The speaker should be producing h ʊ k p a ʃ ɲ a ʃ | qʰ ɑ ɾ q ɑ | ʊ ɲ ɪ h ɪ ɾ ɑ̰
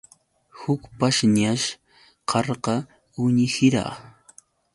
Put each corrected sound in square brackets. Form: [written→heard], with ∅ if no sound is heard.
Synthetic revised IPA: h ʊ k p a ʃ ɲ a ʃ | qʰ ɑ ɾ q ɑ | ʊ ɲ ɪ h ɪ ɾ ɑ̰